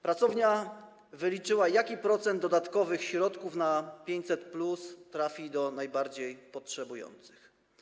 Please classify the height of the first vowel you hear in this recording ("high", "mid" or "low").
low